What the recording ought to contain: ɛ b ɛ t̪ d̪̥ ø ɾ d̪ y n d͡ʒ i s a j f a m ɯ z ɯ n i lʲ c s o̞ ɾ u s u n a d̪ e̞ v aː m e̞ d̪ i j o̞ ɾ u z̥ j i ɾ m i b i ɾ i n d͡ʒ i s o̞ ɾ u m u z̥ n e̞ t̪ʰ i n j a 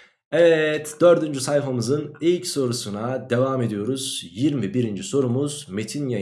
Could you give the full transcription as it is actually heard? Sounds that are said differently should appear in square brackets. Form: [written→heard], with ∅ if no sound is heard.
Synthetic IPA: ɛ [b→v] ɛ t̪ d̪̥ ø ɾ d̪ y n d͡ʒ [i→y] s a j f a m ɯ z ɯ n i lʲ c s o̞ ɾ u s u n a d̪ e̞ v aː m e̞ d̪ i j o̞ ɾ u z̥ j i ɾ m i b i ɾ i n d͡ʒ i s o̞ ɾ u m u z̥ [n→m] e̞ t̪ʰ i n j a